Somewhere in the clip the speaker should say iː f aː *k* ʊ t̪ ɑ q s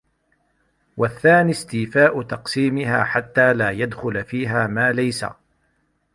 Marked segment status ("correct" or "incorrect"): incorrect